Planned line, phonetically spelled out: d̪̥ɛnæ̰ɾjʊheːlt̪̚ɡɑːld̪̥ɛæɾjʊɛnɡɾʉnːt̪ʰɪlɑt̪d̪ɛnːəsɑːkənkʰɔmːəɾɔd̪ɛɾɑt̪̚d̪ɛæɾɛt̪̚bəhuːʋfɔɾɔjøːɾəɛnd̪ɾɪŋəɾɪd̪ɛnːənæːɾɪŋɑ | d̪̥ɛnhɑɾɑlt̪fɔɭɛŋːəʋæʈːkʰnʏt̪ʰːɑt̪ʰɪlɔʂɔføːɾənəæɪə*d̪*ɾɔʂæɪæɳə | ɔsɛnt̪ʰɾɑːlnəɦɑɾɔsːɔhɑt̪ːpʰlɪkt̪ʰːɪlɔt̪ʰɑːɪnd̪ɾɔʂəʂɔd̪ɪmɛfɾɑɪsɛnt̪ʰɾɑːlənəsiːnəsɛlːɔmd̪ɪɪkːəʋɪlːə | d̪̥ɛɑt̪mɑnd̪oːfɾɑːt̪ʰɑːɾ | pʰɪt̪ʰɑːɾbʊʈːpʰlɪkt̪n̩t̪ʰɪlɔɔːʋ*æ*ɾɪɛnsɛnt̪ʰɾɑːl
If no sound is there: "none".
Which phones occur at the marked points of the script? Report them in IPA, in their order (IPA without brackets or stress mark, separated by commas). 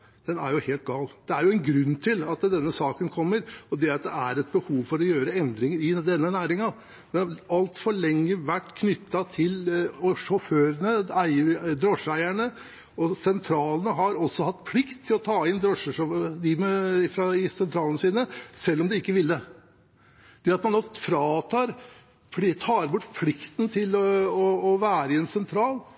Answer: d̪, æː